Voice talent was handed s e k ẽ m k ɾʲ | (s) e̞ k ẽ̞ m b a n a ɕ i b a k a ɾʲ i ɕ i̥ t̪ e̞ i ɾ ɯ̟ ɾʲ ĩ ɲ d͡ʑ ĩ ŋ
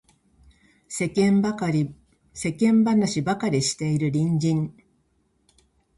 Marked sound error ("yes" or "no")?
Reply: no